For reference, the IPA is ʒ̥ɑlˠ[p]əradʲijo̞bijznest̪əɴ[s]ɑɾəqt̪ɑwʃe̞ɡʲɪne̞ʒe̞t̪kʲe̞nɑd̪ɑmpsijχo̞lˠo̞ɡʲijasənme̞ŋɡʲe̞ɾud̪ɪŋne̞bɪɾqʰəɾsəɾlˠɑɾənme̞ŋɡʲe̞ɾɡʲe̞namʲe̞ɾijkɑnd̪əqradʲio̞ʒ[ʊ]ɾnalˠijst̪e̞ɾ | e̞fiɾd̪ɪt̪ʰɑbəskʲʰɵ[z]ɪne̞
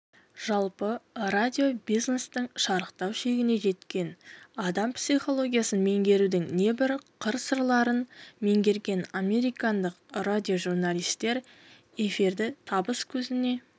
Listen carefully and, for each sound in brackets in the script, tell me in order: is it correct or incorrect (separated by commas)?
correct, incorrect, incorrect, correct